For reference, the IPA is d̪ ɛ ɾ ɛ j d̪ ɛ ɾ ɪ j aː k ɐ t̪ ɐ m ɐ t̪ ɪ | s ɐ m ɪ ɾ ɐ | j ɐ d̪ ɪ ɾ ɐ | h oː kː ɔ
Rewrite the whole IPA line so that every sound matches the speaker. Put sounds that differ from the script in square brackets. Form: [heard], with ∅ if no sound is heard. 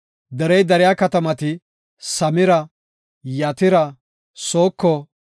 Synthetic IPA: d̪ ɛ ɾ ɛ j d̪ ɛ ɾ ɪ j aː k ɐ t̪ ɐ m ɐ t̪ ɪ | s ɐ m ɪ ɾ ɐ | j ɐ [t̪] ɪ ɾ ɐ | [s] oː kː ɔ